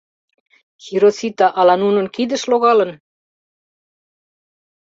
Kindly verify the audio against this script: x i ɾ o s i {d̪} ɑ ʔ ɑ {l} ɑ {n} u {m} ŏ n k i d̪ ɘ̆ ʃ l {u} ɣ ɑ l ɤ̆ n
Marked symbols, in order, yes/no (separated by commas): no, yes, yes, no, no